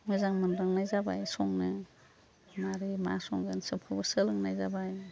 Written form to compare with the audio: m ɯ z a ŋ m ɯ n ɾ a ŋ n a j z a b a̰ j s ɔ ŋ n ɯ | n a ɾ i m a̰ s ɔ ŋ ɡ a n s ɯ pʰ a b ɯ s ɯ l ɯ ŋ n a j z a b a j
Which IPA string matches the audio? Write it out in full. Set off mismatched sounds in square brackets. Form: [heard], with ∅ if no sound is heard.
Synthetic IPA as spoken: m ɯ z a ŋ m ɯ n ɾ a ŋ n a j z a b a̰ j s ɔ ŋ n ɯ | [m] a ɾ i m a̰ s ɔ ŋ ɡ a n s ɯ pʰ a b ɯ s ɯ l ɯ ŋ n a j z a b a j